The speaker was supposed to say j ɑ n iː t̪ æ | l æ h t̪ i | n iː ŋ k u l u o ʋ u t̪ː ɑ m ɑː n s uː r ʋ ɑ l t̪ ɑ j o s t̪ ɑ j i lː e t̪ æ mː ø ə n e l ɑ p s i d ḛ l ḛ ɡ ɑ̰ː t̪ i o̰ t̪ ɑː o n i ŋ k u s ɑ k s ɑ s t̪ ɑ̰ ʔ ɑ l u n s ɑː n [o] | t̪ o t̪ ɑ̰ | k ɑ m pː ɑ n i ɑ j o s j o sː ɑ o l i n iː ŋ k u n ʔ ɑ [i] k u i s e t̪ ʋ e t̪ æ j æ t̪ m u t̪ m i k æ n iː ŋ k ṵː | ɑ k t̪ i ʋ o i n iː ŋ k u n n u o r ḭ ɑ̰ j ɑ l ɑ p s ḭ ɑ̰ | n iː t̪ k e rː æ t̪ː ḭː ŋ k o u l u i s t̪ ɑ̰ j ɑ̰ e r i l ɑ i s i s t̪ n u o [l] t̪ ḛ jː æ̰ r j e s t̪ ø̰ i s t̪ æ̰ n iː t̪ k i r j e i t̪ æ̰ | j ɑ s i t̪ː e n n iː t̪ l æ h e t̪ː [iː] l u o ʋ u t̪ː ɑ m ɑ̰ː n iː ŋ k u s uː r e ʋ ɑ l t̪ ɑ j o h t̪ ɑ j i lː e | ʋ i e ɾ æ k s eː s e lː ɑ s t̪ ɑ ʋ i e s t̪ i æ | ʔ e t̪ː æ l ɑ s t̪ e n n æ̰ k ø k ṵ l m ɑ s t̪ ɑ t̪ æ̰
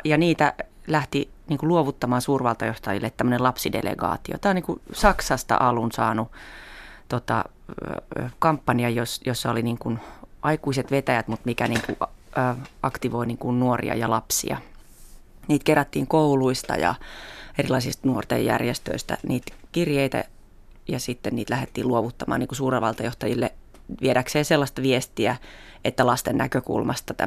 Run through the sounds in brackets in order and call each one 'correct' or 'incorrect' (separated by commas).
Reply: incorrect, correct, incorrect, correct